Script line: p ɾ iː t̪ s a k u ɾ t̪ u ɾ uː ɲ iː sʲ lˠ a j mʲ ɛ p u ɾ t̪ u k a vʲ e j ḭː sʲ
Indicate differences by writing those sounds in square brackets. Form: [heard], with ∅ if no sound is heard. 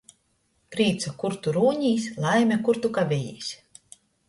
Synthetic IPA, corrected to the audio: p ɾ iː t̪ s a k u ɾ t̪ u ɾ uː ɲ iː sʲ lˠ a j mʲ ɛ [k] u ɾ t̪ u k a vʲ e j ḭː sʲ